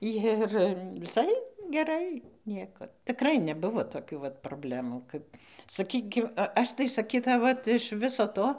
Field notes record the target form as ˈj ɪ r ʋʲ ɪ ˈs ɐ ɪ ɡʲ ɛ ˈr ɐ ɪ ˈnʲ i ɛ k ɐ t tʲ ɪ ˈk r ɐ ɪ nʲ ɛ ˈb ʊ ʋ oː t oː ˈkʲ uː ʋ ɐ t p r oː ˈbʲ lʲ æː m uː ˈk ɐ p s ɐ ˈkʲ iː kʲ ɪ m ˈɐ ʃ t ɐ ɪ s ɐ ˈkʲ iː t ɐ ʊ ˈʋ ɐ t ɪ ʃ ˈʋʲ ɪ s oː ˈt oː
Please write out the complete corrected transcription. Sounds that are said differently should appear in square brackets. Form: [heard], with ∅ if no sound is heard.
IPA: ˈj ɪ r ʋʲ ɪ ˈs ɐ ɪ ɡʲ ɛ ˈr ɐ ɪ ˈnʲ i ɛ k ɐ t tʲ ɪ ˈk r ɐ ɪ nʲ ɛ ˈb ʊ ʋ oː t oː ˈkʲ uː ʋ ɐ t p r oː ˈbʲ lʲ æː m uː ˈk ɐ p s ɐ ˈkʲ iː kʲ ɪ m ˈɐ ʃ t ɐ ɪ s ɐ ˈkʲ iː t ɐ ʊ ˈʋ ɐ t ɪ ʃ ˈʋʲ ɪ s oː ˈt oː